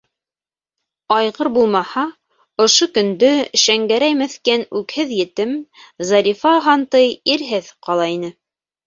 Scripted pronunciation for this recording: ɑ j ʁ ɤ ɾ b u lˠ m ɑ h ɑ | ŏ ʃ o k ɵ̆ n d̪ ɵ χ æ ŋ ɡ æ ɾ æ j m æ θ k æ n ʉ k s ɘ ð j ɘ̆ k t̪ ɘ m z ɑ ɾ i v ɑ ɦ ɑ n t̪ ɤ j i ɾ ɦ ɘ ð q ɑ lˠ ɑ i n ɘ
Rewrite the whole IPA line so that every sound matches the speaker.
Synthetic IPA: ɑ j ʁ ɤ ɾ b u lˠ m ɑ h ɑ | ŏ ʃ o k ɵ̆ n d̪ ɵ ʃ æ ŋ ɡ æ ɾ æ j m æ θ k æ n ʉ k h ɘ ð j ɘ̆ t̪ ɘ m z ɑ ɾ i f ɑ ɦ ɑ n t̪ ɤ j i ɾ ɦ ɘ ð q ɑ lˠ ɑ i n ɘ